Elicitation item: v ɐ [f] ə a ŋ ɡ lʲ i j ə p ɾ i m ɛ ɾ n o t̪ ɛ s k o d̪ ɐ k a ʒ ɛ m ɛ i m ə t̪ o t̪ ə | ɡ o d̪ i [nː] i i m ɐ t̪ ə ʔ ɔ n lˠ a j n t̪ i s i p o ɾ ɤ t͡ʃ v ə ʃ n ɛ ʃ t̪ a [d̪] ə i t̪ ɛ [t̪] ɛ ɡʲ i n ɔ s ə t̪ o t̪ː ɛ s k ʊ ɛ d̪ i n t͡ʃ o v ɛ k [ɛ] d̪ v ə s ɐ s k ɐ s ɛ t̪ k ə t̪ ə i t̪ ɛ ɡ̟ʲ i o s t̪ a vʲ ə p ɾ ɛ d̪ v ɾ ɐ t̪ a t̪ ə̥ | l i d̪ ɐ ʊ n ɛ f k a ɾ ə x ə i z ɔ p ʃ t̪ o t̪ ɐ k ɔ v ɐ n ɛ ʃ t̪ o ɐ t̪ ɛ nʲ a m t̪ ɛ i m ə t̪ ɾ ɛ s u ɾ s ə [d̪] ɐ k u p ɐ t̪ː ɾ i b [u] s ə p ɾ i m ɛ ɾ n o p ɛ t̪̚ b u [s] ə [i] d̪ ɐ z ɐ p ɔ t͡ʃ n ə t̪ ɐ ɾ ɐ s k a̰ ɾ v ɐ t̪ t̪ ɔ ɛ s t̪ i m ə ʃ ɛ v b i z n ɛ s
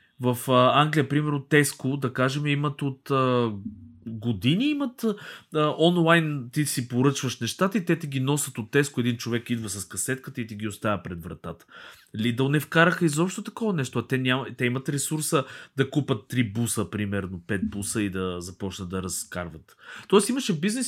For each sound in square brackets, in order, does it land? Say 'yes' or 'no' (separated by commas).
yes, no, no, yes, no, yes, yes, yes, yes